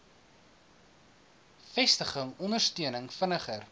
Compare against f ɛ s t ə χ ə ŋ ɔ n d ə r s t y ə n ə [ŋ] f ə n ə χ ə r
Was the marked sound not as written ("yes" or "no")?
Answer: no